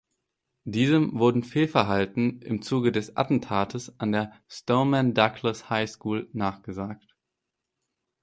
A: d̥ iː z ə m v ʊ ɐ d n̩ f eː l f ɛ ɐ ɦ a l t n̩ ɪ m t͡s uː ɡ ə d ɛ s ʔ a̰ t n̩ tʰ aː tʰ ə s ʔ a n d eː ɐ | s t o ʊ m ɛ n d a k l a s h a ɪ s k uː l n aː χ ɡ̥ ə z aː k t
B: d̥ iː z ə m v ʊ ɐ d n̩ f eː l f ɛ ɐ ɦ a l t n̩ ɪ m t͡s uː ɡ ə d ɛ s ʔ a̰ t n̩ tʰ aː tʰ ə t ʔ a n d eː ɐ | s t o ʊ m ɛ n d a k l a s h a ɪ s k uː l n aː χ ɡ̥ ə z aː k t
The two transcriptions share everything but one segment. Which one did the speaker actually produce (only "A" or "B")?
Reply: A